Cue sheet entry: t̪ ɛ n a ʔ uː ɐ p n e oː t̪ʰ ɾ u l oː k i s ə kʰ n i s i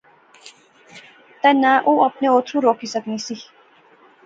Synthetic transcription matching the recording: t̪ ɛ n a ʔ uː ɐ p n e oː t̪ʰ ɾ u ɾ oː k i s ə k n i s i